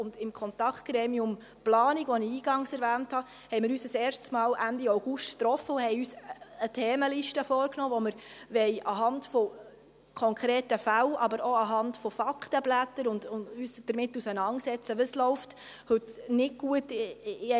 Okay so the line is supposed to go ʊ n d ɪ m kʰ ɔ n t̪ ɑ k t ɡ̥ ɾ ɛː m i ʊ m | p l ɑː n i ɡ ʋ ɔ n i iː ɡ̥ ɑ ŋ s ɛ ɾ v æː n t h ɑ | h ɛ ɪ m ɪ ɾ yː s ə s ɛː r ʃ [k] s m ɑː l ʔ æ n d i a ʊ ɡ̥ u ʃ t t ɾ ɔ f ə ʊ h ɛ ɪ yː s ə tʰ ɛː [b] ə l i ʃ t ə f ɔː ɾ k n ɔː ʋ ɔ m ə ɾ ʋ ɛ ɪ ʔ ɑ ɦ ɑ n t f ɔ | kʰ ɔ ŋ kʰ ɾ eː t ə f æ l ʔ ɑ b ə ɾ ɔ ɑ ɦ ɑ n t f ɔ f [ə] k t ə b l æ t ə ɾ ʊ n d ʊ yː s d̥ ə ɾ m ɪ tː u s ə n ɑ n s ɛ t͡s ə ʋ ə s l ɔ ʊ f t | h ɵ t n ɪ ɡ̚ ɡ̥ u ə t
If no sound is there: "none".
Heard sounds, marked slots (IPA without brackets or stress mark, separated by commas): t, m, ɑ